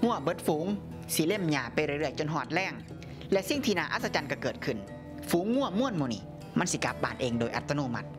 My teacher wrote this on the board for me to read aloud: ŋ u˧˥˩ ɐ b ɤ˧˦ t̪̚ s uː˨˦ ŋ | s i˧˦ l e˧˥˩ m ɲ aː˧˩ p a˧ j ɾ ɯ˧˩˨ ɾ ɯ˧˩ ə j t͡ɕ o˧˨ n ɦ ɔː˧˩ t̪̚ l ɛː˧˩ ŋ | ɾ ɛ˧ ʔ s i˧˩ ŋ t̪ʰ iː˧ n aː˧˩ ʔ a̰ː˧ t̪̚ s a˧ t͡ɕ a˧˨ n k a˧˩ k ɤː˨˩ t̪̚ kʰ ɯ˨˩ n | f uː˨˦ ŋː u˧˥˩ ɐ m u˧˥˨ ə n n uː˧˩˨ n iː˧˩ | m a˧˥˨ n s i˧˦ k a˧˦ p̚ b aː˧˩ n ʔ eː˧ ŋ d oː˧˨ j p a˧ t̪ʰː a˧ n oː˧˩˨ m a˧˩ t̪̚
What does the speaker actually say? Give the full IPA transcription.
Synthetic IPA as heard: ŋ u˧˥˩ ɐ b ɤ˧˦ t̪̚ f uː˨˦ ŋ | s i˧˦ l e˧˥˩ m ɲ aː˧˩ p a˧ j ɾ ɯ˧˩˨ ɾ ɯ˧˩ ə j t͡ɕ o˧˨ n ɦ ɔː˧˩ t̪̚ l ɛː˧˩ ŋ | l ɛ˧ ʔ s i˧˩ ŋ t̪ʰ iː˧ n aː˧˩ ʔ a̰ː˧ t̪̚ s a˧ t͡ɕ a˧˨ n k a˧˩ k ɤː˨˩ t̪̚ kʰ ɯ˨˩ n | f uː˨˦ ŋː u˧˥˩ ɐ m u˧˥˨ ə n m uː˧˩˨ n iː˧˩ | m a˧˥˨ n s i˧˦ k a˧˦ p̚ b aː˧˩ n ʔ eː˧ ŋ d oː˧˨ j ʔ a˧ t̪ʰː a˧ n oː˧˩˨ m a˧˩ t̪̚